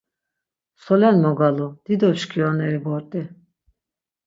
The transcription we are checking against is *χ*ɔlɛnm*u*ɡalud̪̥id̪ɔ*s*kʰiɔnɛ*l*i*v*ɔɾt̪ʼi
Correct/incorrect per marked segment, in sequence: incorrect: s, incorrect: ɔ, incorrect: ʃ, incorrect: ɾ, incorrect: b

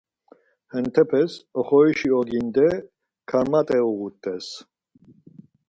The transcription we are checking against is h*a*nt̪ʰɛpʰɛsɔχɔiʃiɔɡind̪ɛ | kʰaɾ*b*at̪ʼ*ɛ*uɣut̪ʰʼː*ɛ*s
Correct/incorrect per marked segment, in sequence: incorrect: ɛ, incorrect: m, correct, correct

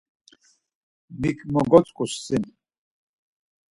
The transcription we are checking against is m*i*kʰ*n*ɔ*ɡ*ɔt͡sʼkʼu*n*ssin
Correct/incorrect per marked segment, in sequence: correct, incorrect: m, correct, incorrect: none

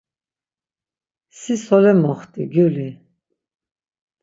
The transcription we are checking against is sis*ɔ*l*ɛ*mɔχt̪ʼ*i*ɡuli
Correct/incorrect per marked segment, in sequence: correct, correct, correct

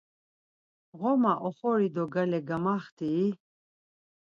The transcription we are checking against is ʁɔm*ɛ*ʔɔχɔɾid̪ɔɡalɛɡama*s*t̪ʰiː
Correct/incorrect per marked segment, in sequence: incorrect: a, incorrect: χ

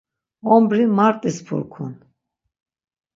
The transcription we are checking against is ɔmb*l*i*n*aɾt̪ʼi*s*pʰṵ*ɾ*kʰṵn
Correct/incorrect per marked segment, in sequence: incorrect: ɾ, incorrect: m, correct, correct

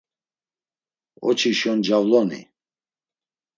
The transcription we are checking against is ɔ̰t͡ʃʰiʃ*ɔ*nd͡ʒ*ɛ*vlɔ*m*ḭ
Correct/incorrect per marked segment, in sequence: correct, incorrect: a, incorrect: n

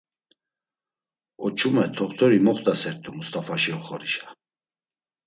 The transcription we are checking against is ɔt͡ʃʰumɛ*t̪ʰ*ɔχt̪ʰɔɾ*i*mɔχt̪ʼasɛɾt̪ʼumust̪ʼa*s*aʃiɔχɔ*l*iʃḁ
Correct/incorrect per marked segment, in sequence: correct, correct, incorrect: f, incorrect: ɾ

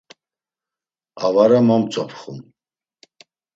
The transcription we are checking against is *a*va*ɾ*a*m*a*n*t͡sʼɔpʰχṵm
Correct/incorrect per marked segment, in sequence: correct, correct, correct, incorrect: m

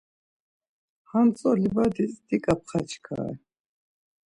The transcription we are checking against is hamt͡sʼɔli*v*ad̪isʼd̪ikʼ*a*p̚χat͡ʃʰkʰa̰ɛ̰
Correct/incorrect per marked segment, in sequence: incorrect: b, correct

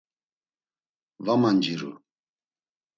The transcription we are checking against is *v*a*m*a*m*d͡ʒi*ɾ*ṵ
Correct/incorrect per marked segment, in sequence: correct, correct, incorrect: n, correct

